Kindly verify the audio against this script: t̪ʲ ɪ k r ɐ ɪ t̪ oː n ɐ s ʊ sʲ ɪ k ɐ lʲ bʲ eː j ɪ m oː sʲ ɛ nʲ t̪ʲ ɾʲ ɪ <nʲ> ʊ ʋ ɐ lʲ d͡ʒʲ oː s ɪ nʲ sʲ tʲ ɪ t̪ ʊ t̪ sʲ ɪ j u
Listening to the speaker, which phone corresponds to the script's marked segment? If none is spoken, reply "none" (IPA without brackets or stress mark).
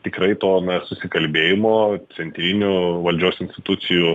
nʲ